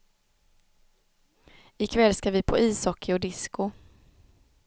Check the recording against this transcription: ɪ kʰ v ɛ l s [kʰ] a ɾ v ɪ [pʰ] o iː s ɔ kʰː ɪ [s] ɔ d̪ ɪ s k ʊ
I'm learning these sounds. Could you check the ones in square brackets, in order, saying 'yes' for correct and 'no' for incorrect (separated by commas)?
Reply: no, yes, no